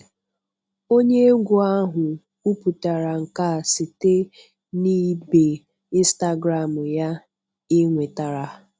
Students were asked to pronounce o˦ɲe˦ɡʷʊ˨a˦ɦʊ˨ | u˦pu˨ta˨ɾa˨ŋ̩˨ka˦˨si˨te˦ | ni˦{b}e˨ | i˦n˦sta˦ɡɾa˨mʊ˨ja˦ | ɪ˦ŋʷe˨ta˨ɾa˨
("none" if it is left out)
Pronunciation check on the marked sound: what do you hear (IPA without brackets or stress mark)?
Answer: b